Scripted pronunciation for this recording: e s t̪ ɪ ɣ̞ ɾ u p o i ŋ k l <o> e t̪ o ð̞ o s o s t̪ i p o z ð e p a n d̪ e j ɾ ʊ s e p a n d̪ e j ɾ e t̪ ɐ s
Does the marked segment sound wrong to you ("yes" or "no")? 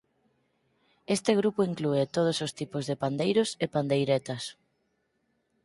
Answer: yes